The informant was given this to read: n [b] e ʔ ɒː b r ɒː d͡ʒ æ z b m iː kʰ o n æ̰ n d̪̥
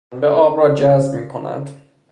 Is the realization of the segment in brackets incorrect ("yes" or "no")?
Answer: no